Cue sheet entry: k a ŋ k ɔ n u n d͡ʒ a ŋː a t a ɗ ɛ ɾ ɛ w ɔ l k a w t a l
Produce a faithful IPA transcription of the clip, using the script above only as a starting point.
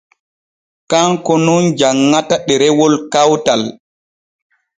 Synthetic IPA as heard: k a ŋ k ɔ n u n d͡ʒ a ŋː a t a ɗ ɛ ɾ ɛ w ɔ l k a w t a l